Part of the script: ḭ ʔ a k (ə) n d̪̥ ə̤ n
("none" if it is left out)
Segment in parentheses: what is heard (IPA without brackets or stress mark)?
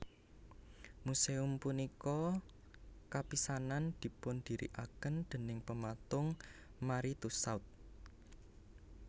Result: ə